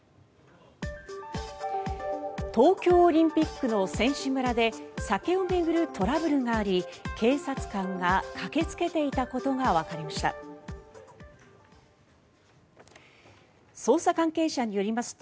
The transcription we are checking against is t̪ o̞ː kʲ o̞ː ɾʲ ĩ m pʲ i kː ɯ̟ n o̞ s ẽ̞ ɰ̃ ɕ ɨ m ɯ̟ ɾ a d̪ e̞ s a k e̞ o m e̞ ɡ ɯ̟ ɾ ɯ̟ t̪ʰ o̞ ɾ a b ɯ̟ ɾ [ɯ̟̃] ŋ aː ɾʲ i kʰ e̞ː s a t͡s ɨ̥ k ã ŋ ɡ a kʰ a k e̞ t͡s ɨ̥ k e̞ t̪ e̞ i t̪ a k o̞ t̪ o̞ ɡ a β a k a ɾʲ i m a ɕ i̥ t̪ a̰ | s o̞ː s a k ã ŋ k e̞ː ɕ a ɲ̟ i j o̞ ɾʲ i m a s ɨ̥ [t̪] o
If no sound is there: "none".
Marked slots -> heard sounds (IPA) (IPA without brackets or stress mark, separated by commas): ɯ̟, t̪